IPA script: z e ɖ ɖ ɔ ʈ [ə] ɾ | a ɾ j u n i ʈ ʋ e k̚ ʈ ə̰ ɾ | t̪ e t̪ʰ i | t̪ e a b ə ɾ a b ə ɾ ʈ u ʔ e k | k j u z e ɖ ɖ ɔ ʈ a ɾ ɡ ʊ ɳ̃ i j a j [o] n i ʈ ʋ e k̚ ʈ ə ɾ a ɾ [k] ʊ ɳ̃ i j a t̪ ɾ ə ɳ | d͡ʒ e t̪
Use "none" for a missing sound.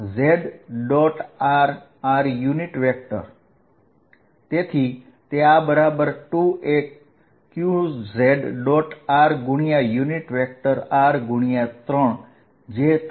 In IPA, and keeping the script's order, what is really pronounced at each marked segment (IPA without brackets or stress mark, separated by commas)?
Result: a, u, ɡ